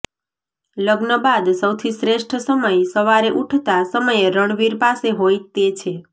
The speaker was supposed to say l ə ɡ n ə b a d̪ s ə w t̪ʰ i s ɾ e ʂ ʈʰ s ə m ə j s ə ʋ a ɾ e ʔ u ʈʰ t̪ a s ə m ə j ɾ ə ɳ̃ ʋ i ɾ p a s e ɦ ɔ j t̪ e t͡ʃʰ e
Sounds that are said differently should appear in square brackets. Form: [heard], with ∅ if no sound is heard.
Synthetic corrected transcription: l ə ɡ n ə b a d̪ s ə w t̪ʰ i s ɾ e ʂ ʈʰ s ə m ə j s ə ʋ a ɾ e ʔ u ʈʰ t̪ a s ə m ə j ɾ ə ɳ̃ ʋ i ɾ p a s e ɦ [o] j t̪ e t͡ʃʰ e

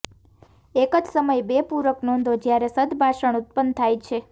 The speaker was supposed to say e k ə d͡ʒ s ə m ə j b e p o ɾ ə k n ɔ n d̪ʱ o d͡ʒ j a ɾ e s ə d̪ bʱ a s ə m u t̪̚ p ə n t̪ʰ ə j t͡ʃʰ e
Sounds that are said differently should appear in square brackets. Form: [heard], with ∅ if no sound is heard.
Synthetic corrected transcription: e k ə d͡ʒ s ə m ə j b e p [u] ɾ ə k n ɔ n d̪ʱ o d͡ʒ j a ɾ e s ə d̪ bʱ a [ʃ] ə [ɳ] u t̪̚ p ə n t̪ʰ [a] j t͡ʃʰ e

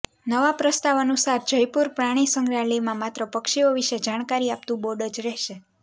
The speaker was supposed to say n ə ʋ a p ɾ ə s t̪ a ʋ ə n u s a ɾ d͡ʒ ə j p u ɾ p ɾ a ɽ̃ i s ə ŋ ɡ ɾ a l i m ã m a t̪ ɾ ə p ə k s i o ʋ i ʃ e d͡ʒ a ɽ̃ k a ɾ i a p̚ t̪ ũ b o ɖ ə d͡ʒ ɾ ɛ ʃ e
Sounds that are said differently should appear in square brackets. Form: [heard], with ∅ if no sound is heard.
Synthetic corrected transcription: n ə ʋ a p ɾ ə s t̪ a ʋ ə n u s a ɾ d͡ʒ ə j p u ɾ p ɾ a ɽ̃ i s ə ŋ ɡ ɾ a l i m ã m a t̪ ɾ ə p ə k [ʃ] i o ʋ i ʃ e d͡ʒ a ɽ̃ k a ɾ i a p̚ t̪ ũ b o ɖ ə d͡ʒ ɾ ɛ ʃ e

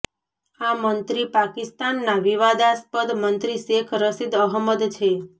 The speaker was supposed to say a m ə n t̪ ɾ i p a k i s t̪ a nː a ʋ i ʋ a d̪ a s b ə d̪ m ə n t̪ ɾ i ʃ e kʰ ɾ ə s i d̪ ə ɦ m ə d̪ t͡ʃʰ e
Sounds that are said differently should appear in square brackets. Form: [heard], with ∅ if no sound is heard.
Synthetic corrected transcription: a m ə n t̪ ɾ i p a k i s t̪ a nː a ʋ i ʋ a d̪ a s [p] ə d̪ m ə n t̪ ɾ i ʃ e kʰ ɾ ə s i d̪ ə ɦ m ə d̪ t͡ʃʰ e

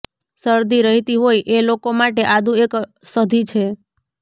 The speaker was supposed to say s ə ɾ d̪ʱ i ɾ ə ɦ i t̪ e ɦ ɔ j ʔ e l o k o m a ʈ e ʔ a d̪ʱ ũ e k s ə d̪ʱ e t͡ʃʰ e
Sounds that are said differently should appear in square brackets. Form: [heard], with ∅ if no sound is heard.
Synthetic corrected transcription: s ə ɾ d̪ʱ i ɾ ə ɦ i t̪ [i] ɦ [o] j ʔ e l o k o m a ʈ e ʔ a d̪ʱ ũ e k s ə d̪ʱ [i] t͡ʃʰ e

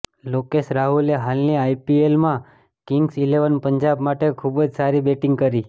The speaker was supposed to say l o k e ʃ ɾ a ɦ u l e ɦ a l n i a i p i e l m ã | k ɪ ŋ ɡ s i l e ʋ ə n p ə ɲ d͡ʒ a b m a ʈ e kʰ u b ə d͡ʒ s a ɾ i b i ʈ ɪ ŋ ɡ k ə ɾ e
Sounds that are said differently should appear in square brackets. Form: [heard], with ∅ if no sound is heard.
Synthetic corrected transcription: l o k e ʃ ɾ a ɦ u l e ɦ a l n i a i p i e l m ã | k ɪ ŋ ɡ s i l e ʋ ə n p ə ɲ d͡ʒ a b m a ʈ e kʰ u b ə d͡ʒ s a ɾ i b [e] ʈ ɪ ŋ ɡ k ə ɾ [i]

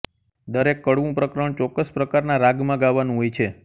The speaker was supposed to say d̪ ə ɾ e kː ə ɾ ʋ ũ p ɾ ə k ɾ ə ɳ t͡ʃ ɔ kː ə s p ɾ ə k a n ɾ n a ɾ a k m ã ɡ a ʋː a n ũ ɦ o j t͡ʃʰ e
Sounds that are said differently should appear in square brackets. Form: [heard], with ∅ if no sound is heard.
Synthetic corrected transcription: d̪ ə ɾ e kː ə [ɽ] ʋ ũ p ɾ ə k ɾ ə ɳ t͡ʃ ɔ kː ə s p ɾ ə k a [∅] ɾ n a ɾ a [ɡ] m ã ɡ a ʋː a n ũ ɦ o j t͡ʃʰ e

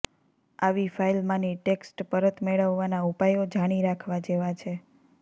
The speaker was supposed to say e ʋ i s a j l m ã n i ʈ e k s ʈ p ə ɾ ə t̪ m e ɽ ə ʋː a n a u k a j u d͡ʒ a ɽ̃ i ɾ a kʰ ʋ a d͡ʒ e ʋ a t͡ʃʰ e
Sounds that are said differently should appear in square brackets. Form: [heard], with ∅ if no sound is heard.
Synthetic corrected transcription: [a] ʋ i [f] a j l m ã n i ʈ e k s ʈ p ə ɾ ə t̪ m e [ɭ] ə ʋː a n a u [p] a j [o] d͡ʒ a ɽ̃ i ɾ a kʰ ʋ a d͡ʒ e ʋ a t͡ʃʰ e

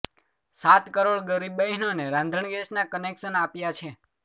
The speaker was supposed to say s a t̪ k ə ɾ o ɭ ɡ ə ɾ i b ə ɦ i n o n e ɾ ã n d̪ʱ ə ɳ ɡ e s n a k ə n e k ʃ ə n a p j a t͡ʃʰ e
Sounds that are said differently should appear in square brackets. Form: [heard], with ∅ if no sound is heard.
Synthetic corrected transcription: s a t̪ k ə ɾ o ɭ ɡ ə ɾ i b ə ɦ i n o n e ɾ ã n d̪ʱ ə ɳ ɡ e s n a k ə n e k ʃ ə n a p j a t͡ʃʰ e

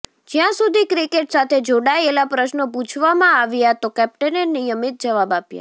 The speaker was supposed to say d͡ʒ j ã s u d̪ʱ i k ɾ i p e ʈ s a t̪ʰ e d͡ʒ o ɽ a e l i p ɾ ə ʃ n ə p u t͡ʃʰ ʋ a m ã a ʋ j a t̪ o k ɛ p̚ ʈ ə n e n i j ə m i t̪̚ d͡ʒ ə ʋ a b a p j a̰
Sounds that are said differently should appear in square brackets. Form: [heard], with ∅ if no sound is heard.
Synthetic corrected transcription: d͡ʒ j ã s u d̪ʱ i k ɾ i [k] e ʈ s a t̪ʰ e d͡ʒ o ɽ a e l [a] p ɾ ə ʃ n ə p u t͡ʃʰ ʋ a m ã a ʋ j a t̪ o k ɛ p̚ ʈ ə n e n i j ə m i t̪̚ d͡ʒ ə ʋ a b a p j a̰

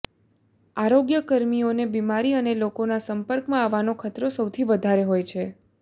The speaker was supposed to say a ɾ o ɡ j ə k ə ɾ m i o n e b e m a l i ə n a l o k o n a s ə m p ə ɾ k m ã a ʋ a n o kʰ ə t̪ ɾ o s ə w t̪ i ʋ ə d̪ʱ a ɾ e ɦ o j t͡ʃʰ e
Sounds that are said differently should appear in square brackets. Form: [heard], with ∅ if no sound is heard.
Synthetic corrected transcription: a ɾ o ɡ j ə k ə ɾ m i o n e b [i] m a [ɾ] i ə n [e] l o k o n a s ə m p ə ɾ k m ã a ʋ a n o kʰ ə t̪ ɾ o s ə w [t̪ʰ] i ʋ ə d̪ʱ a ɾ e ɦ o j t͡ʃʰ e

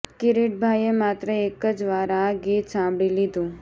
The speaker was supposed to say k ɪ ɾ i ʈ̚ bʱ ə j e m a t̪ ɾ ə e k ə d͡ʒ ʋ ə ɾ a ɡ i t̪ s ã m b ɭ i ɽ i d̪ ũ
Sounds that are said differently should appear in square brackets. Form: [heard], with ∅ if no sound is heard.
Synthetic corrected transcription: k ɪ ɾ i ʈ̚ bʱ [a] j e m a t̪ ɾ ə e k ə d͡ʒ ʋ [a] ɾ a ɡ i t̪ s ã m b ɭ i [l] i d̪ ũ

